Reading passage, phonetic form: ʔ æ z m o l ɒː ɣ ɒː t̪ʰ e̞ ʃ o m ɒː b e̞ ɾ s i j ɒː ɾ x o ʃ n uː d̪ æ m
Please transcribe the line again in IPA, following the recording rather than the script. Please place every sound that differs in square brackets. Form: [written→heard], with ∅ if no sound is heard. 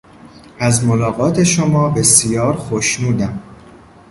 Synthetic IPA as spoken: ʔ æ z m o l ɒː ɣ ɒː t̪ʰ e̞ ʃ o m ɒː b e̞ [ɾ→∅] s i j ɒː ɾ x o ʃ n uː d̪ æ m